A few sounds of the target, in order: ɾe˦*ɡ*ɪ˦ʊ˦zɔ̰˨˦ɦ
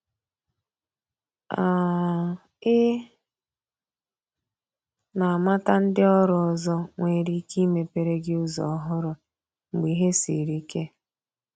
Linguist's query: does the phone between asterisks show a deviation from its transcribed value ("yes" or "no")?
no